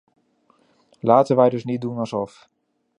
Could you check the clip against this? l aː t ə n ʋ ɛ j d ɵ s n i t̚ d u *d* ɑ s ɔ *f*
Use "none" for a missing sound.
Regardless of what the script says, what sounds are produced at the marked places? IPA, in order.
n, f

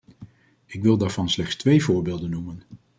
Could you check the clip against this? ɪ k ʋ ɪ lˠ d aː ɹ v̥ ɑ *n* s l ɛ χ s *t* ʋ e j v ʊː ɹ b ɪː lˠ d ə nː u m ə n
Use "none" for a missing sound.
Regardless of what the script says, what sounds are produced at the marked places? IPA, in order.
n, t

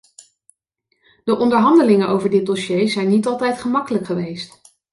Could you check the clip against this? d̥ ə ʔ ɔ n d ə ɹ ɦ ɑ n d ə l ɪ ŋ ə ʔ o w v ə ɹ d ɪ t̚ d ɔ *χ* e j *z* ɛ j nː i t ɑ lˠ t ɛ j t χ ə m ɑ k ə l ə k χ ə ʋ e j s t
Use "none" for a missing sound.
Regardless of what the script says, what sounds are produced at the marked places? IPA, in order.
ʃ, z

